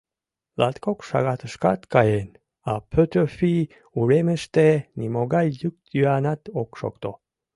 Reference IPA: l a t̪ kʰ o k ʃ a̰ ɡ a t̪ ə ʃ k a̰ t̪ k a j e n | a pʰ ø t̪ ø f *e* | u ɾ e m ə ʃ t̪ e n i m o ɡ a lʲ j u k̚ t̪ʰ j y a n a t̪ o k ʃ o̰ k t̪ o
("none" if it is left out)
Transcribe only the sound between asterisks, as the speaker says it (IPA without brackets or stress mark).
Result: i